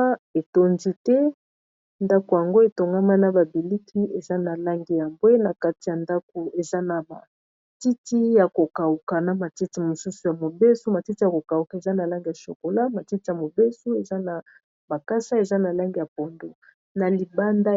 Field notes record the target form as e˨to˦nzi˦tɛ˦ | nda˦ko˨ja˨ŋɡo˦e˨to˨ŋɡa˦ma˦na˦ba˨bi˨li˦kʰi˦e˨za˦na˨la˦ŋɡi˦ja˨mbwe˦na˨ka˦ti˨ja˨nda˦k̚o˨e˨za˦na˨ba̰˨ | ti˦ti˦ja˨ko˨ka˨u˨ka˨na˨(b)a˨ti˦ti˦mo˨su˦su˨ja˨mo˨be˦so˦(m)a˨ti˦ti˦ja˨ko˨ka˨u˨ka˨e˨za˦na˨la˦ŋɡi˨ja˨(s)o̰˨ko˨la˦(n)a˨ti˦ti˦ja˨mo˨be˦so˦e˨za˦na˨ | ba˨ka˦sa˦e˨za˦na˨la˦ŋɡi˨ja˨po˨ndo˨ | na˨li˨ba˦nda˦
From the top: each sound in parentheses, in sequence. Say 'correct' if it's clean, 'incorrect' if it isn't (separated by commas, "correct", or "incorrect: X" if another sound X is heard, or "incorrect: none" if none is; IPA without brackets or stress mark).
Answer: incorrect: m, correct, incorrect: ʃ, incorrect: m